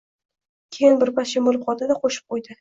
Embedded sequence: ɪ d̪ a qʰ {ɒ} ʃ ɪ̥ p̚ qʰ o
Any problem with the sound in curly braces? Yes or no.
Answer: yes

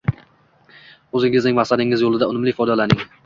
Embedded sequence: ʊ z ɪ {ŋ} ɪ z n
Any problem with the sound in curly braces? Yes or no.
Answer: no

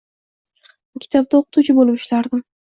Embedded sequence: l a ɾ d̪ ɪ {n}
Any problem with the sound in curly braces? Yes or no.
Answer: yes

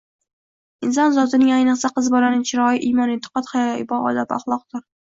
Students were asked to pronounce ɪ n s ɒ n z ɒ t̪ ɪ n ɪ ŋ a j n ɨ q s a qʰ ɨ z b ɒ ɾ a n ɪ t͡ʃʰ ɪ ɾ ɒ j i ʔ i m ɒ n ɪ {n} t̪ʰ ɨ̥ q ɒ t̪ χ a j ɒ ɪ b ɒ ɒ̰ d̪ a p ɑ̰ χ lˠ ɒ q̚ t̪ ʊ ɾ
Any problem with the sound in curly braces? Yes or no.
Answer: no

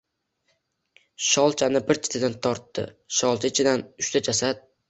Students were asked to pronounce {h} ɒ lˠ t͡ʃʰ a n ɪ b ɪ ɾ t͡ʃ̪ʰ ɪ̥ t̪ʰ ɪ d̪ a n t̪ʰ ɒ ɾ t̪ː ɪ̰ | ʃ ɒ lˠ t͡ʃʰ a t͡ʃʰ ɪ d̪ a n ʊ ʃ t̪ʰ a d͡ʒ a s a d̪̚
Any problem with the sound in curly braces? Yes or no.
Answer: yes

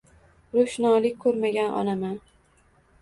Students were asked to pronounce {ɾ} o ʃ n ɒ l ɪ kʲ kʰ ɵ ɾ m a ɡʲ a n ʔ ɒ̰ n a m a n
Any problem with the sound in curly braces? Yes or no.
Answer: no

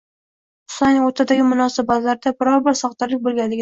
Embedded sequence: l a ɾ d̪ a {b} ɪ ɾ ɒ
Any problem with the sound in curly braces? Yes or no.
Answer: no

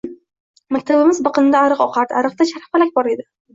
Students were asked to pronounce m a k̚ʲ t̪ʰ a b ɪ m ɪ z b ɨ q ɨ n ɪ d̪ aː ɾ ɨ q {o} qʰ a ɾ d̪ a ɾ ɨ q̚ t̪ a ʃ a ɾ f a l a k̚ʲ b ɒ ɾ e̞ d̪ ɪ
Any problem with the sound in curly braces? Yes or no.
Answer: yes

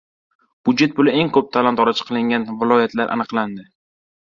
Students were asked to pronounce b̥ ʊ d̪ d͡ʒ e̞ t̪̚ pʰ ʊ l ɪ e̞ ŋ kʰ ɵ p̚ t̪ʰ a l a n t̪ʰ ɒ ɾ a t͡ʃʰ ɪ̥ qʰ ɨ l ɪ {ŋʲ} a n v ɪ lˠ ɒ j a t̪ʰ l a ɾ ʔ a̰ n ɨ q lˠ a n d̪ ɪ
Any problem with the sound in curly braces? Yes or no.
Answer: no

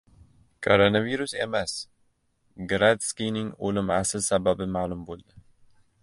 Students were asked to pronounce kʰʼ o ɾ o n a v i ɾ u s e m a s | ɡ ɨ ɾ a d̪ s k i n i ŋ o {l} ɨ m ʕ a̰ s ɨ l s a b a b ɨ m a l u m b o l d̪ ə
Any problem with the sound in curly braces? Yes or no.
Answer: no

